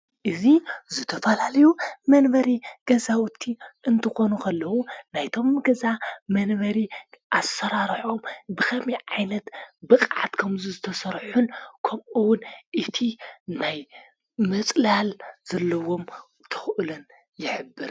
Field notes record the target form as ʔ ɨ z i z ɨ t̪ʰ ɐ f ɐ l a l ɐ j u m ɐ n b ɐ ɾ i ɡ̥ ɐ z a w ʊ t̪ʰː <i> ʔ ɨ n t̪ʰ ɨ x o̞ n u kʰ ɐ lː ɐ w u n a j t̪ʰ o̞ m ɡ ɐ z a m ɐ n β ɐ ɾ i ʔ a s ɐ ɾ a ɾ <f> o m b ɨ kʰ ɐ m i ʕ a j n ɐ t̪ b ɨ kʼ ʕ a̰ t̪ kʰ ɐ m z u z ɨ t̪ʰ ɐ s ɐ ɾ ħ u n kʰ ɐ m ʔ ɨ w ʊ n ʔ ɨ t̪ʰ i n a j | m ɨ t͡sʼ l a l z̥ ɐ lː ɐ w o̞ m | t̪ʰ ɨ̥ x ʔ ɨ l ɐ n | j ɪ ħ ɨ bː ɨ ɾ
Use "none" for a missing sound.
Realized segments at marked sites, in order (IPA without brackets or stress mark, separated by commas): i, ħ